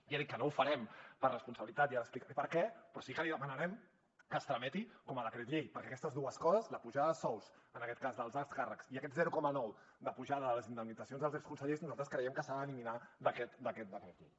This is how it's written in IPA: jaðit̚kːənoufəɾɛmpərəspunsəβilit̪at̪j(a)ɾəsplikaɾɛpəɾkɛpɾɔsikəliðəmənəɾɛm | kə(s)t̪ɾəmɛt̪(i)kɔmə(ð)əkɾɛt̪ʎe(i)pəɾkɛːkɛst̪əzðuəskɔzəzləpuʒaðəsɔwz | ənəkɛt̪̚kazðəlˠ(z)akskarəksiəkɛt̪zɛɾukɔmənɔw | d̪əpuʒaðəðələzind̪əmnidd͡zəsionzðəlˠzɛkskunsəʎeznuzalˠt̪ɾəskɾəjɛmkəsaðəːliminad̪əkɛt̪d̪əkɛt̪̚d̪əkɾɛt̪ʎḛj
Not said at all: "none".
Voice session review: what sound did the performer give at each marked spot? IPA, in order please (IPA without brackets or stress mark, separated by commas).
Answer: a, s, i, ð, j, z